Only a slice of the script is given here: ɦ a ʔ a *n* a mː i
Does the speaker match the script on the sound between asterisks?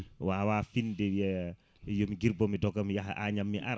no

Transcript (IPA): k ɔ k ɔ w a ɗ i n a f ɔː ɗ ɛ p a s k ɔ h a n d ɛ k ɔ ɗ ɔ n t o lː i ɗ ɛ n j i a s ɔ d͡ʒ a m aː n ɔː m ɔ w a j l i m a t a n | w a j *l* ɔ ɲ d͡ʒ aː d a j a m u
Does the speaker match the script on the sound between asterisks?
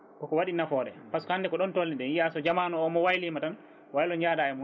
yes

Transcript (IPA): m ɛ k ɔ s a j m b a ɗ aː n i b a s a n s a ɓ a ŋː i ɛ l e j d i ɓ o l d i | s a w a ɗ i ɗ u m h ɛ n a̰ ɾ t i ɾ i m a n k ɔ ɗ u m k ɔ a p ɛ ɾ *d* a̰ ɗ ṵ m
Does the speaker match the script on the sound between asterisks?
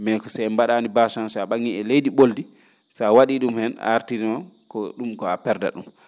yes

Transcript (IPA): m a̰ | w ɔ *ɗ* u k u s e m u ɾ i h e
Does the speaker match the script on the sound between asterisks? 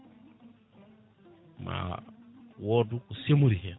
no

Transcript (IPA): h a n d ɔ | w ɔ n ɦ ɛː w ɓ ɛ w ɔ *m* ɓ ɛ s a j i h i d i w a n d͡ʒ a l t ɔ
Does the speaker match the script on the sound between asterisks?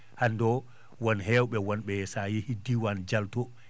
no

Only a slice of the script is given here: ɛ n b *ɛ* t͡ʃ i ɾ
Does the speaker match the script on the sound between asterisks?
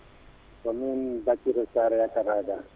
no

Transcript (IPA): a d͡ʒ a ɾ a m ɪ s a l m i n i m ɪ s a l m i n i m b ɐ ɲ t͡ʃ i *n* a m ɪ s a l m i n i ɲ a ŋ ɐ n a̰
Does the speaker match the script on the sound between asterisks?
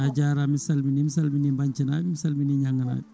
yes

